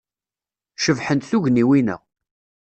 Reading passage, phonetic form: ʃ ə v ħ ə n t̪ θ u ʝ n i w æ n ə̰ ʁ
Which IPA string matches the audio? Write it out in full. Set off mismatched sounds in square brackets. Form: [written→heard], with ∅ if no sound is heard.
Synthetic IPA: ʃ ə v ħ ə n t̪ θ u ʝ n i w [æ→i] n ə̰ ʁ